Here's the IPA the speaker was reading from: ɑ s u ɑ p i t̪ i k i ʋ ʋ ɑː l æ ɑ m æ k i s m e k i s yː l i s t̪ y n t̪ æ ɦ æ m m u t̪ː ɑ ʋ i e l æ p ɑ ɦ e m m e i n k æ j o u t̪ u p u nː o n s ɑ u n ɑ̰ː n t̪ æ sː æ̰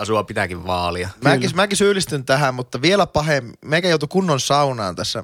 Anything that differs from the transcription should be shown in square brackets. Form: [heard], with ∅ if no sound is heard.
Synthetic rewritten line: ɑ s u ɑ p i t̪ [æ] k i ʋ ʋ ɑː l [i] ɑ m æ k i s m [æ] k i s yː l i s t̪ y n t̪ æ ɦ æ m m u t̪ː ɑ ʋ i e l æ p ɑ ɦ e m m e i [∅] k æ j o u t̪ u [k] u nː o n s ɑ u n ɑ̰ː n t̪ æ sː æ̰